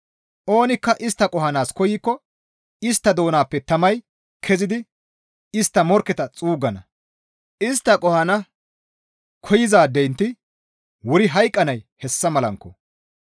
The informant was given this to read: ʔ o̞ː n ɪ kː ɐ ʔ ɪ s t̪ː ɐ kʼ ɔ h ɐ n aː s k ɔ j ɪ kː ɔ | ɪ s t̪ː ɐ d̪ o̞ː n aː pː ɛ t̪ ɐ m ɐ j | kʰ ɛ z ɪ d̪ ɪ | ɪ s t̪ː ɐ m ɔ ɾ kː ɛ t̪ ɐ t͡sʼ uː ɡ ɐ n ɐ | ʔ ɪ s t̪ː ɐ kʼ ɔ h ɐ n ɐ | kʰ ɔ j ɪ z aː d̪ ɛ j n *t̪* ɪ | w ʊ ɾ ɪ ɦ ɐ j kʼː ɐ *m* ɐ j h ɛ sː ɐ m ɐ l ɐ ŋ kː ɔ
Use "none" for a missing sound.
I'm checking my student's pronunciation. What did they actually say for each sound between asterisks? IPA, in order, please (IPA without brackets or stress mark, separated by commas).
t̪, n